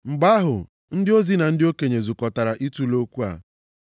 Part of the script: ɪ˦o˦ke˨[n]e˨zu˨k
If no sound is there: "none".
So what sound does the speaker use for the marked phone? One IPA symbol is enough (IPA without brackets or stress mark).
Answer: ɲ